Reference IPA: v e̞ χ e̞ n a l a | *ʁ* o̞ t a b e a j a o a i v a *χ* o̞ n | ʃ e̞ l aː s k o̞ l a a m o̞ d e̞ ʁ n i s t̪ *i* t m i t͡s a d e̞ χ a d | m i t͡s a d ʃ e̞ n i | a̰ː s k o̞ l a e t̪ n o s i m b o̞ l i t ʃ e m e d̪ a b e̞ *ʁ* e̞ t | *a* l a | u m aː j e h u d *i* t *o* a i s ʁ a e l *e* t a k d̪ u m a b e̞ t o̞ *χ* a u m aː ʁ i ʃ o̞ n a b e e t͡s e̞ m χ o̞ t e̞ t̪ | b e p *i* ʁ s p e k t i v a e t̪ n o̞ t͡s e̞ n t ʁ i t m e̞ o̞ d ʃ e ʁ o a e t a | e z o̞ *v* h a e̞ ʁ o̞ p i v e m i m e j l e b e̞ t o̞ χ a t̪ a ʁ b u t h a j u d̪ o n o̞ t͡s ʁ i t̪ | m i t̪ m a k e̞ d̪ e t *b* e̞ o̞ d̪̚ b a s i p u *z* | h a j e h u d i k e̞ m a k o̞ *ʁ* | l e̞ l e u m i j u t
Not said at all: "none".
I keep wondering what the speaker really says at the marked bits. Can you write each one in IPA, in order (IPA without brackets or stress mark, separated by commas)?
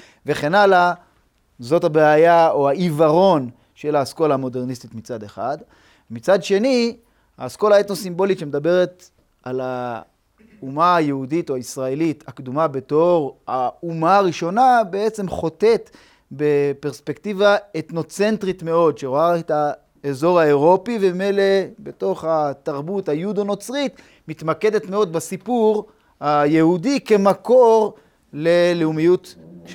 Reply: z, ʁ, i, ʁ, a, i, o, i, ʁ, e, ʁ, m, ʁ, ʁ